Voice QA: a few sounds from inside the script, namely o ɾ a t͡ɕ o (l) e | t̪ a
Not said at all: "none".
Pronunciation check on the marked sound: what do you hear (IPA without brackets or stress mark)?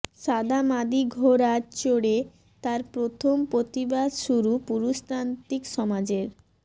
ɽ